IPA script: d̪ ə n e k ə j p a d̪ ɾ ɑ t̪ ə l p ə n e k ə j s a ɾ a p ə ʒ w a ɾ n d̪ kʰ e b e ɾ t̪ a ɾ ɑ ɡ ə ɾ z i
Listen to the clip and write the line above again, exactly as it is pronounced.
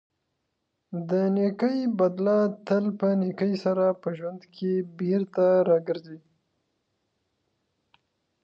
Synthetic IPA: d̪ ə n e k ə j b a d̪ l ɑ t̪ ə l p ə n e k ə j s a ɾ a p ə ʒ w a n d̪ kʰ e b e ɾ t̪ a ɾ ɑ ɡ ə ɾ z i